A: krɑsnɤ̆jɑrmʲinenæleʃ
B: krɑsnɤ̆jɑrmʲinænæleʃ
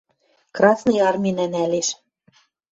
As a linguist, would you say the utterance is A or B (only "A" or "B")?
B